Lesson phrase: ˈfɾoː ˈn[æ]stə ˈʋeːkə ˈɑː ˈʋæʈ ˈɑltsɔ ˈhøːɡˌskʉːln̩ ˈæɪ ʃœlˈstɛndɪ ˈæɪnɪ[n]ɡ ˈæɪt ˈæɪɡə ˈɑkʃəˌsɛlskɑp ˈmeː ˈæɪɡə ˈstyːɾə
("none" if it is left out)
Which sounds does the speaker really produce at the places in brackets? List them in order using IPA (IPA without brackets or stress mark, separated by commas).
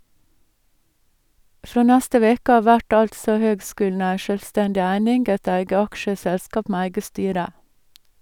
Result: æ, ŋ